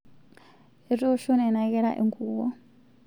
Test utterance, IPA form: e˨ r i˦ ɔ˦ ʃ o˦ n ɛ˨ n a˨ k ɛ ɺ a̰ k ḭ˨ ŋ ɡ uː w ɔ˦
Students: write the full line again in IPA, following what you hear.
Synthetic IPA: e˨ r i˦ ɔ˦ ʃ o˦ n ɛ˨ n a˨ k ɛ ɺ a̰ ʔ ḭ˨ ŋ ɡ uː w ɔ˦